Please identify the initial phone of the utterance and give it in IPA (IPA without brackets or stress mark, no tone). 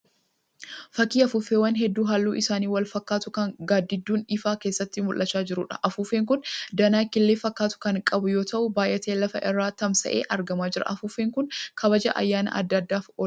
f